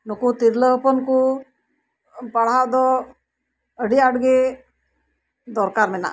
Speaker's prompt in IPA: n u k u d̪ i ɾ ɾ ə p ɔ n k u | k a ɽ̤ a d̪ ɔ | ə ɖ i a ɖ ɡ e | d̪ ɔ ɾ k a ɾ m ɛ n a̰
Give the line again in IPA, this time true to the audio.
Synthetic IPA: n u k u t̪ i ɾ l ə p ɔ n k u | p a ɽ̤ a d̪ ɔ | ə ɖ i a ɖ ɡ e | d̪ ɔ ɾ k a ɾ m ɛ n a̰